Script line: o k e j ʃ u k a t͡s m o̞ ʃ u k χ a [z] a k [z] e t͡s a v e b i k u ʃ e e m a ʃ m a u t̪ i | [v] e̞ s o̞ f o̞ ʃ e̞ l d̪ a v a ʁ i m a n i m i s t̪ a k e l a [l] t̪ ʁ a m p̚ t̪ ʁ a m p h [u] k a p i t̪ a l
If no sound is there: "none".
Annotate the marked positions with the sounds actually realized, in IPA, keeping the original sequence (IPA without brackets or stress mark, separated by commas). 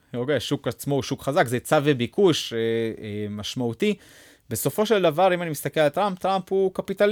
z, z, b, l, u